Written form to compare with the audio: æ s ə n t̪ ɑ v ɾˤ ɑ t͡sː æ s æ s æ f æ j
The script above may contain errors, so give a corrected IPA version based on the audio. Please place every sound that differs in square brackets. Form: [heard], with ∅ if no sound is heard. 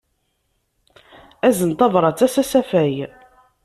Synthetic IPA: æ [z] ə n t̪ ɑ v ɾˤ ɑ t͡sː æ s æ s æ f æ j